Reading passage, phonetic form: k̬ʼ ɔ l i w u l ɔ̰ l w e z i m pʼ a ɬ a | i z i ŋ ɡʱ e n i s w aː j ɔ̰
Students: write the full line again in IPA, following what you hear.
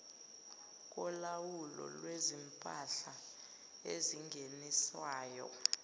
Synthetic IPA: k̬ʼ ɔ l a w u l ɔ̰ l w e z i m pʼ a ɬ a | e z i ŋ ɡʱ e n i s w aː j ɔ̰